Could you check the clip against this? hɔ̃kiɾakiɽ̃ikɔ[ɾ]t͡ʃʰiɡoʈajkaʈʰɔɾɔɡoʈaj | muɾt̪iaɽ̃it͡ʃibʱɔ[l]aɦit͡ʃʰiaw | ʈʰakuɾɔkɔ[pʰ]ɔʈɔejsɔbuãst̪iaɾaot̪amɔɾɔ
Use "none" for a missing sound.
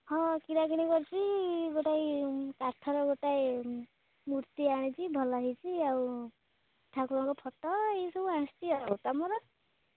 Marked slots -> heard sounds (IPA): ɾ, l, pʰ

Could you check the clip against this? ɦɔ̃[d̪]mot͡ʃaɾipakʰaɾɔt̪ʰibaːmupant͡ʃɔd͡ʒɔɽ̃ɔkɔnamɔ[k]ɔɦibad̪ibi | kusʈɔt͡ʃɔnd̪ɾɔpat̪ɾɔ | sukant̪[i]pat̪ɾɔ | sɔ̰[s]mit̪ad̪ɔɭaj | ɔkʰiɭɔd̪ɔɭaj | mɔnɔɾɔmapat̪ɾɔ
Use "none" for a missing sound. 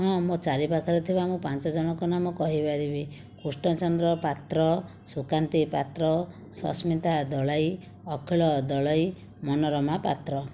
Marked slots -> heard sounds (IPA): none, k, i, s

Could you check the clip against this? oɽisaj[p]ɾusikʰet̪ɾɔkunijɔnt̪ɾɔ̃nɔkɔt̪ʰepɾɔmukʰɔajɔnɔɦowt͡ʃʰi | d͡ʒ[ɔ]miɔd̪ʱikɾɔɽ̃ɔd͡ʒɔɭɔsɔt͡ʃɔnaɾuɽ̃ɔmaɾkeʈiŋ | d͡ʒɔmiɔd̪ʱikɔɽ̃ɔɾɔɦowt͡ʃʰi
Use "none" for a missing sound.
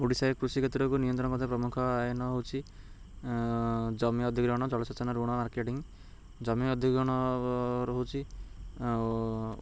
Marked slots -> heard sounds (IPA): k, ɔ

